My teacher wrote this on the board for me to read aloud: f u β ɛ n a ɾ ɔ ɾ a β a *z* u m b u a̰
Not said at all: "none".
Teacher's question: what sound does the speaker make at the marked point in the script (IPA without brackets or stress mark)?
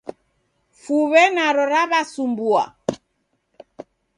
s